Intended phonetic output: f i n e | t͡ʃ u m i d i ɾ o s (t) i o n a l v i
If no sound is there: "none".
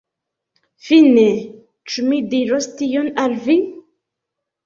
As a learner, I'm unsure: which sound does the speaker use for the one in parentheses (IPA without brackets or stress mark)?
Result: t